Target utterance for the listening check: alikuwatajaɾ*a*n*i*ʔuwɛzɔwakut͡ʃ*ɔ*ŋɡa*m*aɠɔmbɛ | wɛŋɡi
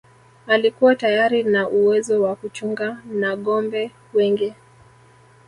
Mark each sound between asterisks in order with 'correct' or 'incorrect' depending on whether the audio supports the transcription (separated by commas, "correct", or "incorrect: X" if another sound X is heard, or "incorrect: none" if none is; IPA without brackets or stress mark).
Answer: incorrect: i, incorrect: a, incorrect: u, incorrect: n